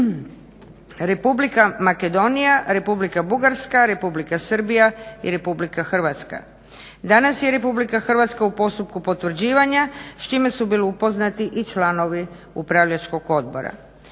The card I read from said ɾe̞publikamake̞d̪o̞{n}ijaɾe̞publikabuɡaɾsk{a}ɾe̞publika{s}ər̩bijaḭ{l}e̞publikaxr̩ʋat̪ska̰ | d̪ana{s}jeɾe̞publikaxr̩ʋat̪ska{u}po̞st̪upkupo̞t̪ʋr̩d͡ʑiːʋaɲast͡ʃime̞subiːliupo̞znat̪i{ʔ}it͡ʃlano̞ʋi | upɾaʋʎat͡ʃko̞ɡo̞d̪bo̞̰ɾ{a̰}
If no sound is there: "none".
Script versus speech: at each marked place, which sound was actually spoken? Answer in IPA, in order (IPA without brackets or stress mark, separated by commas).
n, a, s, ɾ, s, u, ʔ, a̰